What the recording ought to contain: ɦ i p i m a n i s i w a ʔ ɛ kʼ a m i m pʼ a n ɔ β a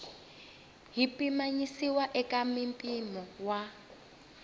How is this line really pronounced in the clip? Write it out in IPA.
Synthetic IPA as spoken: ɦ i p i m a ɲ i s i w a ʔ ɛ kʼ a m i m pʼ i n ɔ w a

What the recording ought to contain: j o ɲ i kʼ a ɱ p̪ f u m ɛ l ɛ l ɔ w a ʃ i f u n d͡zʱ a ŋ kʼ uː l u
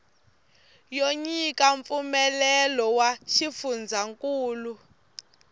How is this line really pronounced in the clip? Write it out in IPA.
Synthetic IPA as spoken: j o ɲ i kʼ a ɱ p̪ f u m ɛ l ɛ l ɔ w a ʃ i f u n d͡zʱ a ŋ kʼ uː l u

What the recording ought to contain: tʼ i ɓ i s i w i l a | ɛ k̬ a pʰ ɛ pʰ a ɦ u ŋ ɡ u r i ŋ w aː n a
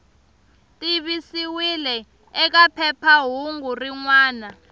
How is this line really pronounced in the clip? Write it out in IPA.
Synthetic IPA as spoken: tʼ i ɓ i s i w i l ɛ | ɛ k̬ a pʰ ɛ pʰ a ɦ u ŋ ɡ u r i ŋ w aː n a

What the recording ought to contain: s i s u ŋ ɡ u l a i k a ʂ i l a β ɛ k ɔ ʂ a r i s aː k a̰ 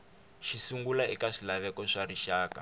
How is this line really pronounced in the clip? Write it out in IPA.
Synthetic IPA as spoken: ʃ i s u ŋ ɡ u l a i k a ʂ i l a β ɛ k ɔ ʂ a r i ʃ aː k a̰

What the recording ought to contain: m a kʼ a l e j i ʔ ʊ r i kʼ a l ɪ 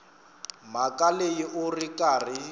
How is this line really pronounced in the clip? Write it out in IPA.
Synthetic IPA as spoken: m a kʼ a l e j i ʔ ʊ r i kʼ a r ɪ

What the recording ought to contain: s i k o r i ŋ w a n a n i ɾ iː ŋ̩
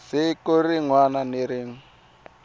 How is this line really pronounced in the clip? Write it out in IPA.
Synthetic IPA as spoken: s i k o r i ŋ w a n a n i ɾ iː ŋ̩

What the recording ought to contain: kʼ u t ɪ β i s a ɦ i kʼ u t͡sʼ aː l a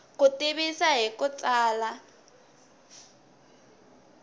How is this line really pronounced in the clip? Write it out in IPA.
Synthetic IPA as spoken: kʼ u t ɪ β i s a ɦ i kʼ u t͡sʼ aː l a

